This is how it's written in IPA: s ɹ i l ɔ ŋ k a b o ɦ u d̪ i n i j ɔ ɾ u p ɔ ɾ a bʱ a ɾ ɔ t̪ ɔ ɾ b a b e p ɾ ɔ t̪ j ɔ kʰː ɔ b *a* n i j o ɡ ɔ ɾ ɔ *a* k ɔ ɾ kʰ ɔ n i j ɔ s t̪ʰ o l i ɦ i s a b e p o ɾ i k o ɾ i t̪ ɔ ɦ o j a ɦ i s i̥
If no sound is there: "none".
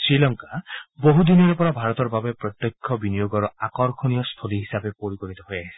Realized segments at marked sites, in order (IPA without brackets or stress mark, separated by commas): i, a